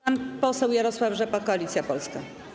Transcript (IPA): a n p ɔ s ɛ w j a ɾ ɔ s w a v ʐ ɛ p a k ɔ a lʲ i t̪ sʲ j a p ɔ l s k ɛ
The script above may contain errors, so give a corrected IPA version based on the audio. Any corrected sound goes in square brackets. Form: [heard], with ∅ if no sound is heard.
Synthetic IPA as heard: a n p ɔ s ɛ w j a ɾ ɔ s w a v ʐ ɛ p a k ɔ a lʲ i t̪ sʲ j a p ɔ l s k [a]